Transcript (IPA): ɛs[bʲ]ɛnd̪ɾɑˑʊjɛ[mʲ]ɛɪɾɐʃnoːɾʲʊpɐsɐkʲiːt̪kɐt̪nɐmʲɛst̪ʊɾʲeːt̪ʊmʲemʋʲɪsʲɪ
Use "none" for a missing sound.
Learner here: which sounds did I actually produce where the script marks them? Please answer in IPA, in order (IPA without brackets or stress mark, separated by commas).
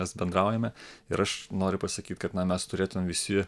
bʲ, mʲ